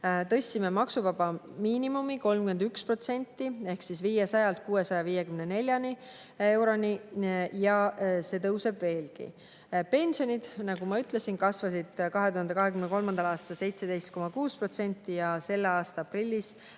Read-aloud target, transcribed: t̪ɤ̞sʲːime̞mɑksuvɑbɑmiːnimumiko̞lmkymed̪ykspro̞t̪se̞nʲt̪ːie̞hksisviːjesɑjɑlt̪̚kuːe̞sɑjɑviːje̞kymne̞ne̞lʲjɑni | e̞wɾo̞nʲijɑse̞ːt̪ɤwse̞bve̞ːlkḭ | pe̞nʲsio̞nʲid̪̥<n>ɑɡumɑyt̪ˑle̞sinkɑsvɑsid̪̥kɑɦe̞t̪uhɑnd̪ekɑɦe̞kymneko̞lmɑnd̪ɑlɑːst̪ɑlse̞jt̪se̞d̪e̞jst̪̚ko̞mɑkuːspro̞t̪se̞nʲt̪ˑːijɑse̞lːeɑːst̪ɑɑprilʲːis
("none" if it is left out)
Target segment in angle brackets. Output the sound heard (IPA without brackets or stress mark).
n